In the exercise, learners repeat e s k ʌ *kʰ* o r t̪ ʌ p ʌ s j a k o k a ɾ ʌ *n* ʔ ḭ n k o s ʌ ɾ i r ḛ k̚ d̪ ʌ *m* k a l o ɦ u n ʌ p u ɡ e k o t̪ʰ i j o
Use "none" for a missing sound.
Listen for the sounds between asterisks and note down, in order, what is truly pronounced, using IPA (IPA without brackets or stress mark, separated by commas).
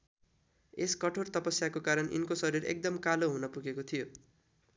ʈʰ, n, m